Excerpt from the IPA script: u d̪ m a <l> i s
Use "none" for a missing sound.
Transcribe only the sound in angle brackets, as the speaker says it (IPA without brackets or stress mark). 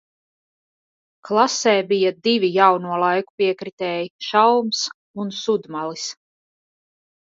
l